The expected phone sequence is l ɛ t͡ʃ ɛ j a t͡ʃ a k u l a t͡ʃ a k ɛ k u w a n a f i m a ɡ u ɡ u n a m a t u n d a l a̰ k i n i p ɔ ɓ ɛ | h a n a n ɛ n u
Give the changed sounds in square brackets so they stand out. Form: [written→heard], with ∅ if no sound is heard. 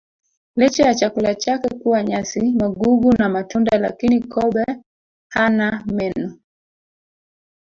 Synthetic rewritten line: l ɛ t͡ʃ ɛ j a t͡ʃ a k u l a t͡ʃ a k ɛ k u w a [n→ɲ] a [f→s] i m a ɡ u ɡ u n a m a t u n d a l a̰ k i n i [p→k] ɔ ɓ ɛ | h a n a [n→m] ɛ n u